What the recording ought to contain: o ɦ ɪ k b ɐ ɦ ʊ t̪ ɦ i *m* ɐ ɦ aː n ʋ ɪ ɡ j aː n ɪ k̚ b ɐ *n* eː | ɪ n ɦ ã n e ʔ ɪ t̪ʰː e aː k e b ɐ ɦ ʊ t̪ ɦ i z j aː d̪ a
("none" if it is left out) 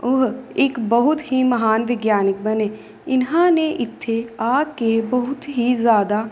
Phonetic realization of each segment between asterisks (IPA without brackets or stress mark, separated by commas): m, n